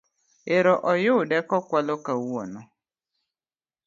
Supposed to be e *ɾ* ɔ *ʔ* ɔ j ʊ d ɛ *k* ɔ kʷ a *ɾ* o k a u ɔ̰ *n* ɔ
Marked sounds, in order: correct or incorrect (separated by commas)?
correct, correct, correct, incorrect, correct